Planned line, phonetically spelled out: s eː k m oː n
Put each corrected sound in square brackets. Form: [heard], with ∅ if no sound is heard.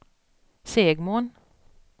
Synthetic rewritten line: s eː [ɡ] m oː n